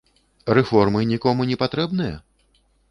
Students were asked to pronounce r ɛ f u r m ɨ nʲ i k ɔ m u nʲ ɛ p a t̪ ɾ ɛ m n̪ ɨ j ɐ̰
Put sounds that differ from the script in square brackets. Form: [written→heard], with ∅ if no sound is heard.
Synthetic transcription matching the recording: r ɛ f [u→ɔ] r m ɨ nʲ i k ɔ m u nʲ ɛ p a t̪ ɾ ɛ [m→b] n̪ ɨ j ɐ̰